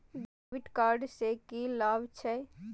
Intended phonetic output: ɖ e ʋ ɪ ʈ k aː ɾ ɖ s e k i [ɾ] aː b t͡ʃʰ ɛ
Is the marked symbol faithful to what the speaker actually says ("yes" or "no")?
no